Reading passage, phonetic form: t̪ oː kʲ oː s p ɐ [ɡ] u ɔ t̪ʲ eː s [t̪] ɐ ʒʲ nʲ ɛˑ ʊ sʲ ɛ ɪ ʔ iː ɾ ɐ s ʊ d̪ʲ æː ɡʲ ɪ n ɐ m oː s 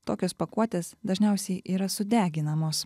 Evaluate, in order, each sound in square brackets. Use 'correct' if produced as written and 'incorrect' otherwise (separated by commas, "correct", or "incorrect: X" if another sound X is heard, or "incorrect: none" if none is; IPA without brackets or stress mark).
incorrect: k, incorrect: d̪